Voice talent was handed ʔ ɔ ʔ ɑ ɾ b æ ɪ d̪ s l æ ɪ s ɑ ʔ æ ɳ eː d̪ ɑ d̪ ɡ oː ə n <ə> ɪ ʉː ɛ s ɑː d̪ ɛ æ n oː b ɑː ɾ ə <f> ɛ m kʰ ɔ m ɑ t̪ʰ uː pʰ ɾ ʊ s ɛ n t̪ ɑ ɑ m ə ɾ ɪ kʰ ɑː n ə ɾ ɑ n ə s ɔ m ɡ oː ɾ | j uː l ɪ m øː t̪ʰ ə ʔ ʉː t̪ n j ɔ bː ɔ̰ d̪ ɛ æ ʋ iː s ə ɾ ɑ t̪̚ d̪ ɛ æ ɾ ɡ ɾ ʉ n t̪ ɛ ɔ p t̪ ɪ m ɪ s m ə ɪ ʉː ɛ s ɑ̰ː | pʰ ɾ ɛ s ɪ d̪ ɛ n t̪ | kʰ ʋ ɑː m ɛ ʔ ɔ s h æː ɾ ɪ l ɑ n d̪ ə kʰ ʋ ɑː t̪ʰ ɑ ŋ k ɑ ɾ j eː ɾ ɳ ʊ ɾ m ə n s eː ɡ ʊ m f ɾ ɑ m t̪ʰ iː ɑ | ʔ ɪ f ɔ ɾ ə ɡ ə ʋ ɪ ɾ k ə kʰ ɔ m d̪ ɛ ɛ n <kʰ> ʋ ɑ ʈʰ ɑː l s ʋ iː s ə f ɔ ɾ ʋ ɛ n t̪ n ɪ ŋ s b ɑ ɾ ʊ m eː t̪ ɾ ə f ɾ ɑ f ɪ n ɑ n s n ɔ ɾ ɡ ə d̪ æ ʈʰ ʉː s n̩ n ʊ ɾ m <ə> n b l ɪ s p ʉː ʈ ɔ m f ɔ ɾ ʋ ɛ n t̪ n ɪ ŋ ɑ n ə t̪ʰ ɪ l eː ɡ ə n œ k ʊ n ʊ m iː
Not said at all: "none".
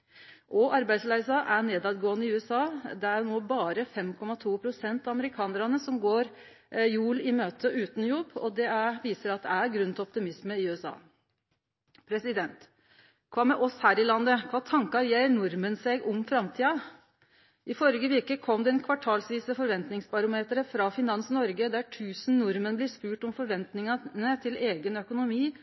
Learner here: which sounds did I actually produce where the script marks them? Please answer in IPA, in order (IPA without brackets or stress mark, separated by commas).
ə, f, kʰ, ə